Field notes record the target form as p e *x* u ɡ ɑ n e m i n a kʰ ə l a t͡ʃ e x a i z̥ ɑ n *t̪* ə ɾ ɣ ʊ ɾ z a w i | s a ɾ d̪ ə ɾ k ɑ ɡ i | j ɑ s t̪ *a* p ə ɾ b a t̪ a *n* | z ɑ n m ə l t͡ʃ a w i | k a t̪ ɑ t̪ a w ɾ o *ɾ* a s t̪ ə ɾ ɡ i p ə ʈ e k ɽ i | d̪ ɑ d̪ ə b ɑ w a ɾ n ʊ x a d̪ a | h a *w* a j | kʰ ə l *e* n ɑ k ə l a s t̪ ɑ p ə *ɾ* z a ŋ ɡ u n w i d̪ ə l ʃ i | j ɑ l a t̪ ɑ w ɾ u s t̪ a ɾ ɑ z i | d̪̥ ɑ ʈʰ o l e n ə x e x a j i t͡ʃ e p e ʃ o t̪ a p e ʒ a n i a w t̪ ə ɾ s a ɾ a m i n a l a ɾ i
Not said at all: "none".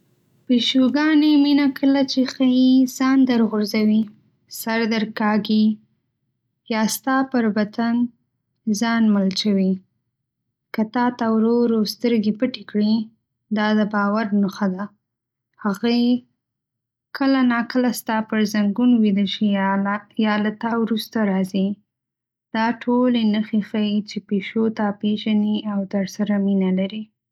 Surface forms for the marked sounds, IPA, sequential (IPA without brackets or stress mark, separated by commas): ʃ, d̪, ɑ, n, ɾ, ɣ, a, ɾ